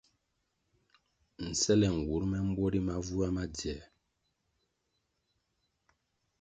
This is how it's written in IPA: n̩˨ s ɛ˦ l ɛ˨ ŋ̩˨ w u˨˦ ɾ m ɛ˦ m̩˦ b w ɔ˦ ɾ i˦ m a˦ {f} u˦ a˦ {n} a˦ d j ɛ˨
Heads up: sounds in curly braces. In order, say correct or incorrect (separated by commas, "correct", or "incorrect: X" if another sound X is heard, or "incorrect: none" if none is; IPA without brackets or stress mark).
incorrect: v, incorrect: m